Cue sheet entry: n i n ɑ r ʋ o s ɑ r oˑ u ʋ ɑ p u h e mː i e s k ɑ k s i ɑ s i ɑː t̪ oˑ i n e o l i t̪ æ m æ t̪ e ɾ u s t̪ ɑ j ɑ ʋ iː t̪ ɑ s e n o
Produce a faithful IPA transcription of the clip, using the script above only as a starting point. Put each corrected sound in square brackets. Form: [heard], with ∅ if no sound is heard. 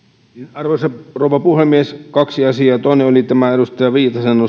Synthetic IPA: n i n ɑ r ʋ o s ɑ r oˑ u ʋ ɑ p u h e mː i e s k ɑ k s i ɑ s i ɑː t̪ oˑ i n e o l i t̪ æ m æ [∅] e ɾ u s t̪ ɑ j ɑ ʋ iː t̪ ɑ s e n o